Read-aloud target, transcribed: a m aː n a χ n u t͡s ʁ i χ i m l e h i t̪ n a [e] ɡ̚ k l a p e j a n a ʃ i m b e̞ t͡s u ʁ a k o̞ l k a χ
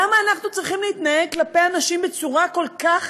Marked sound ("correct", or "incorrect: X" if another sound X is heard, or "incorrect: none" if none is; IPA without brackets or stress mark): correct